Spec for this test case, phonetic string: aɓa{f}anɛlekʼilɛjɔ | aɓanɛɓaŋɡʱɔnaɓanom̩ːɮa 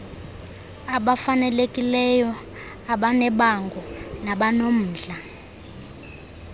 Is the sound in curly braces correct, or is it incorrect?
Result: correct